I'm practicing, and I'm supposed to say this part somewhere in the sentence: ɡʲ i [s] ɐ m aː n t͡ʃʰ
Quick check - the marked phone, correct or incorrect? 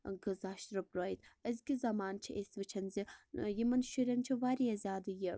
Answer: incorrect